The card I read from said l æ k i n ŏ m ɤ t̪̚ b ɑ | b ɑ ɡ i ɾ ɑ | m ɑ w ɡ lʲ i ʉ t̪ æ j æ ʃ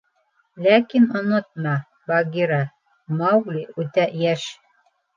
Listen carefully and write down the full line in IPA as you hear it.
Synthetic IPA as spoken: l æ k i n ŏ n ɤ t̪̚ m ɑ | b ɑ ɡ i ɾ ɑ | m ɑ w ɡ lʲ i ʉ t̪ æ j æ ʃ